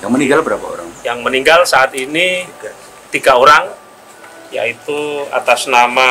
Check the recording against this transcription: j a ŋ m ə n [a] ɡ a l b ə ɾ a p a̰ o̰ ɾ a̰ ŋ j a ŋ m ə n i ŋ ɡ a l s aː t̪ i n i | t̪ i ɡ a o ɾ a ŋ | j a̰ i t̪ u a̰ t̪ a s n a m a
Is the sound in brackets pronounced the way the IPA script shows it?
no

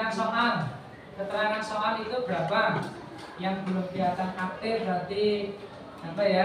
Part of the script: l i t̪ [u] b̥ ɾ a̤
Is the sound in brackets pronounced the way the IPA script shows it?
yes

